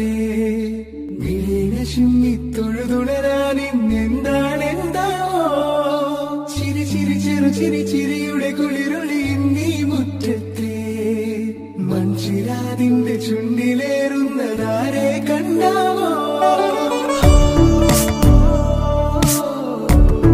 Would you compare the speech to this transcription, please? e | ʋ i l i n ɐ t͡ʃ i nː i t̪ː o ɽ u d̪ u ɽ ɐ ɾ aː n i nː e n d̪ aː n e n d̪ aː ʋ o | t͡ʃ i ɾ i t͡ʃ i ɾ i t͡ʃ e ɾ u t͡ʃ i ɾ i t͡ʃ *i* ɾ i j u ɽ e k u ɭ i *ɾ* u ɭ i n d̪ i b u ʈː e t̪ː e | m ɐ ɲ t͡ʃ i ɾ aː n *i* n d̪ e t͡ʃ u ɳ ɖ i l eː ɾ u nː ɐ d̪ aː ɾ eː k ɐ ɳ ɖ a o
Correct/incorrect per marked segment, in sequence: correct, correct, correct

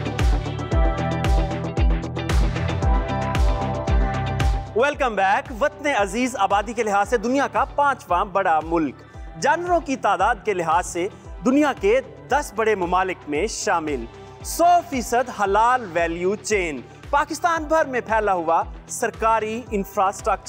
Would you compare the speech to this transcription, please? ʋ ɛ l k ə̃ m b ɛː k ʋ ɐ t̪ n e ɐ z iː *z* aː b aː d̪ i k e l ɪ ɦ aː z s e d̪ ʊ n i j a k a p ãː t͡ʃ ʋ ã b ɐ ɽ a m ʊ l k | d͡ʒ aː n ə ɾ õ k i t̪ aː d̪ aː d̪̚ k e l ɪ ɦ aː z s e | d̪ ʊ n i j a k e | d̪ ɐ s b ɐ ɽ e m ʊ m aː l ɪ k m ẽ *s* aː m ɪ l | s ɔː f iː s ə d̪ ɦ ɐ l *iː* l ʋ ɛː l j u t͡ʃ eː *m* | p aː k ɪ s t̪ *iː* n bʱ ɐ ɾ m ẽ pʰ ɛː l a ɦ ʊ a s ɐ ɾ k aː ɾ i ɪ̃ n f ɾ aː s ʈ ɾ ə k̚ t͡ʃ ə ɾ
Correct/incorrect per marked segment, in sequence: correct, incorrect: ʃ, incorrect: aː, incorrect: n, incorrect: aː

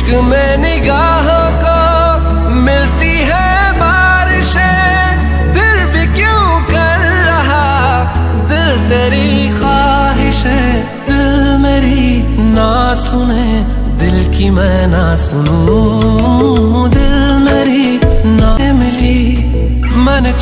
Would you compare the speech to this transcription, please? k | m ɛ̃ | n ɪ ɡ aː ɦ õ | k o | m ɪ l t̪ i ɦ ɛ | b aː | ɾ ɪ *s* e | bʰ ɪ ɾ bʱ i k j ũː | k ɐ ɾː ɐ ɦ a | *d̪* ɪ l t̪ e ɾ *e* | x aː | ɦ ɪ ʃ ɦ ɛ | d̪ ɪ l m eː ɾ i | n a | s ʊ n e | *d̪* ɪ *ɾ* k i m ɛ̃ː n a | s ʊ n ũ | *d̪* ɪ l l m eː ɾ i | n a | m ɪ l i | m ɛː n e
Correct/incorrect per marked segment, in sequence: incorrect: ʃ, correct, incorrect: i, correct, incorrect: l, correct

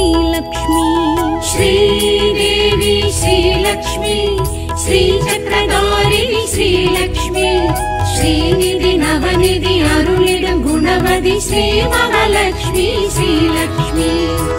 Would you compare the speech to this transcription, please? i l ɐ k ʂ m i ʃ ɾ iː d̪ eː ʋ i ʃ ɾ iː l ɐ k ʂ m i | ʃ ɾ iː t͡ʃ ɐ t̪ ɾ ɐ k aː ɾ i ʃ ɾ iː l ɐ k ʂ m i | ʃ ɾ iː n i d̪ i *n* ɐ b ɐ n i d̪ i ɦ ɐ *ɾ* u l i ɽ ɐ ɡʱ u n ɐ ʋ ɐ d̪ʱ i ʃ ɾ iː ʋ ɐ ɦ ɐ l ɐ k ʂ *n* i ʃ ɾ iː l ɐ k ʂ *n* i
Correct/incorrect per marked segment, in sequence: correct, correct, incorrect: m, incorrect: m

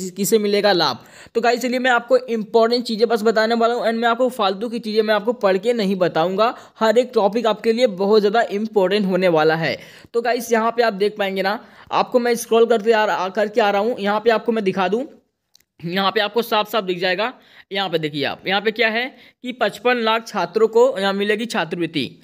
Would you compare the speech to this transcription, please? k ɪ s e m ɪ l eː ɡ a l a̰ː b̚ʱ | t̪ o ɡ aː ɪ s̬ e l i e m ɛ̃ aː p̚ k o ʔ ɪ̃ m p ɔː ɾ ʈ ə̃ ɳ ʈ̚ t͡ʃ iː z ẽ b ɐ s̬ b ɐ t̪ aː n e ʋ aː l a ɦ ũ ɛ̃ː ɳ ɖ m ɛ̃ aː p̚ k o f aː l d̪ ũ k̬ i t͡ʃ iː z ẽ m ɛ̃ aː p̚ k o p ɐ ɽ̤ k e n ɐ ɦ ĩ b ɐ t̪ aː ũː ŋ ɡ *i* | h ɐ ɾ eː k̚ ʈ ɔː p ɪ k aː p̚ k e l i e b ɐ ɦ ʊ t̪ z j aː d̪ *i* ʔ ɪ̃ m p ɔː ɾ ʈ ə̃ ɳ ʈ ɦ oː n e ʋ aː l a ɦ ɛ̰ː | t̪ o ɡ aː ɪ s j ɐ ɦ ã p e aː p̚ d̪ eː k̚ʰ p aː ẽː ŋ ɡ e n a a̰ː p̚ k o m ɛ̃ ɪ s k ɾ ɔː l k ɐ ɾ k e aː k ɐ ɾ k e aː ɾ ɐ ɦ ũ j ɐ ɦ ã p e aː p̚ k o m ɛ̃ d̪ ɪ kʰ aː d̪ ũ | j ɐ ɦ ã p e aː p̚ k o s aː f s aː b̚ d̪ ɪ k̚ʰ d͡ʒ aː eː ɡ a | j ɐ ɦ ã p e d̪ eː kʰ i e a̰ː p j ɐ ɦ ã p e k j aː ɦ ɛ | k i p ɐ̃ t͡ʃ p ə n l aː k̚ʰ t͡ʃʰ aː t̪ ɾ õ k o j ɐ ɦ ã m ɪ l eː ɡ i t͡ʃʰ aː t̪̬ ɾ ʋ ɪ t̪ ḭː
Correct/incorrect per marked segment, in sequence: incorrect: a, incorrect: a

